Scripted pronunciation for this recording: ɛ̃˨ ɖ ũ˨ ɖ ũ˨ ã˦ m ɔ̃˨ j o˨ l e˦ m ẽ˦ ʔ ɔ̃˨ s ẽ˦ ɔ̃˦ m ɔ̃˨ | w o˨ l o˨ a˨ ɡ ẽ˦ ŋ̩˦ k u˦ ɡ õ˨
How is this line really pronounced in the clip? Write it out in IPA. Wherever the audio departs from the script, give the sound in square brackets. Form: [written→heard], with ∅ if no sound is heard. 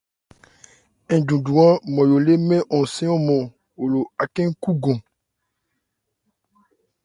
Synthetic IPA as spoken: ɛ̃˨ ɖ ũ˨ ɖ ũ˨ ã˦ m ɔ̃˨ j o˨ l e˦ m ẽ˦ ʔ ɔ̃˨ s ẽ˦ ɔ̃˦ m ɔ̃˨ | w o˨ l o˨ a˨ [ɡ→k] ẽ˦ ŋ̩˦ k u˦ ɡ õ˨